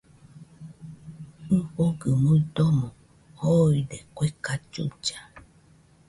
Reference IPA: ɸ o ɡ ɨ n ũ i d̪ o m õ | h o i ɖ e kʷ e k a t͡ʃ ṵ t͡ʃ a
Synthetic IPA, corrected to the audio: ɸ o ɡ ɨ m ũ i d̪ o m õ | h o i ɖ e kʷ e k a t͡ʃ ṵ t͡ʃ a